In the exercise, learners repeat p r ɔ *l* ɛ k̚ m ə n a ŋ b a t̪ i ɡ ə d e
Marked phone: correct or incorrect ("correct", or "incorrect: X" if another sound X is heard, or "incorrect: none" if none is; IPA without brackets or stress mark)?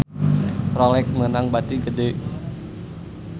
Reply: correct